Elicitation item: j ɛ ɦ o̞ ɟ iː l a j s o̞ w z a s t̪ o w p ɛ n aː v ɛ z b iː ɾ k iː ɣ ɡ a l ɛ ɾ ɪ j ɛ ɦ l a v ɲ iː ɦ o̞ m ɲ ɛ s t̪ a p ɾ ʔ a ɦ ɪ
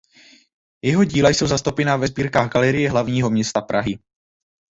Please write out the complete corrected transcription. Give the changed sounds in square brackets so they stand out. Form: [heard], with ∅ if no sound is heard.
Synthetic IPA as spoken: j ɛ ɦ o̞ ɟ iː l a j s o̞ w z a s t̪ o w p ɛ n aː v ɛ z b iː ɾ k [aː] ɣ ɡ a l ɛ ɾ ɪ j ɛ ɦ l a v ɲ iː ɦ o̞ m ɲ ɛ s t̪ a p ɾ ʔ a ɦ ɪ